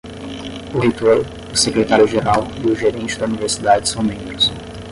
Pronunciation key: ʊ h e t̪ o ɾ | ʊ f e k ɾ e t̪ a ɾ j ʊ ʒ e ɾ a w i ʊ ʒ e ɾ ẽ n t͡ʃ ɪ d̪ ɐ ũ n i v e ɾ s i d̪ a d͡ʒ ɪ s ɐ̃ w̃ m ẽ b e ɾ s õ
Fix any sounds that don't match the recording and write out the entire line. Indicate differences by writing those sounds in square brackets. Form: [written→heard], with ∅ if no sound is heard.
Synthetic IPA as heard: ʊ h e t̪ o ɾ | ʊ [f→s] e k ɾ e t̪ a ɾ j ʊ ʒ e ɾ a w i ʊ ʒ e ɾ ẽ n t͡ʃ ɪ d̪ ɐ [ũ→u] n i v e ɾ s i d̪ a d͡ʒ ɪ s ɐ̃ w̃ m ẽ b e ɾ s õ